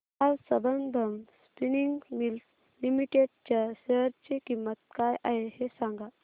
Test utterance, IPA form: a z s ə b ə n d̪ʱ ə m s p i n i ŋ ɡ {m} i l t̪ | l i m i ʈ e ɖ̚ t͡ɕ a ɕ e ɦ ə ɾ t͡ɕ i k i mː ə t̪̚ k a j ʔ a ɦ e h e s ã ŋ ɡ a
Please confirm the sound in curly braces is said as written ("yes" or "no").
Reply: yes